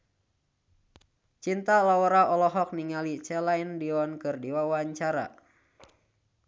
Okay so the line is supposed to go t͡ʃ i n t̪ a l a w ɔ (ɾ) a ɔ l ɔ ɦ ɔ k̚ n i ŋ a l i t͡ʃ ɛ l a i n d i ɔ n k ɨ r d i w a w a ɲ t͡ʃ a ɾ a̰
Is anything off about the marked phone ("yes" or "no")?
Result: no